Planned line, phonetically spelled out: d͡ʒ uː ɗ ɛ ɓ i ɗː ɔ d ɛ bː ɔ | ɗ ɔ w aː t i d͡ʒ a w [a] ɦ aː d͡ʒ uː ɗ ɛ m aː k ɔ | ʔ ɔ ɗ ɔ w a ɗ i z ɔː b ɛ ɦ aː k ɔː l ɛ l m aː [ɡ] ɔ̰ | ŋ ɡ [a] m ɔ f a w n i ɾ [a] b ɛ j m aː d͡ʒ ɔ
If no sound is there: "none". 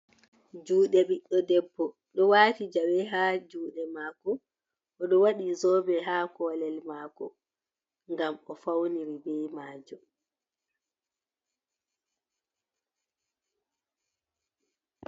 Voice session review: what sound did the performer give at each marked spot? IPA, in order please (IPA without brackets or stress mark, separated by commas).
ɛ, k, a, i